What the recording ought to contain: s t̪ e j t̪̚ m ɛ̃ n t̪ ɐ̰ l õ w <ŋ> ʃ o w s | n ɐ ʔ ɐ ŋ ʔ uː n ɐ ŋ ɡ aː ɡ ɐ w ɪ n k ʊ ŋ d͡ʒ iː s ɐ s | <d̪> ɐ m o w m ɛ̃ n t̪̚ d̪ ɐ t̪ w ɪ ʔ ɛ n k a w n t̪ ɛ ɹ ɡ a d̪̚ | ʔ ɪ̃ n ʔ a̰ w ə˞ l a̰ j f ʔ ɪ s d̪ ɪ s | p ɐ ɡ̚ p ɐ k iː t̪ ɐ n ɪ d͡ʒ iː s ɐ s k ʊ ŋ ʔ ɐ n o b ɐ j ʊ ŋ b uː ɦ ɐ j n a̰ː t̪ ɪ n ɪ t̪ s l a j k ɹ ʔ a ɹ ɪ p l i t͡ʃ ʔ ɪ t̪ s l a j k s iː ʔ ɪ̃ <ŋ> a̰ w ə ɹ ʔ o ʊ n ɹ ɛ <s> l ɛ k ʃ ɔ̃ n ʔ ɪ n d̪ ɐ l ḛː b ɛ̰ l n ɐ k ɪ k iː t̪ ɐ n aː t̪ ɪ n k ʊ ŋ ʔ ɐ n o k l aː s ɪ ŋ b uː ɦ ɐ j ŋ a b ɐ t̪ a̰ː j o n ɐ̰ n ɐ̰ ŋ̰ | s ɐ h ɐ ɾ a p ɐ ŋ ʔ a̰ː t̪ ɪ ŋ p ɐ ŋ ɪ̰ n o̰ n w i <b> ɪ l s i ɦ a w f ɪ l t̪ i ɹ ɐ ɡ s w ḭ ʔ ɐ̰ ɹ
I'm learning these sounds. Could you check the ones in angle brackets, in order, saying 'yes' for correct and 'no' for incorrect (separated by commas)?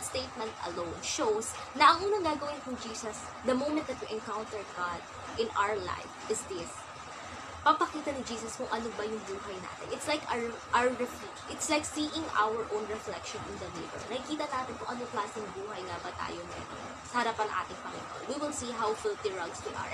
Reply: no, yes, yes, no, no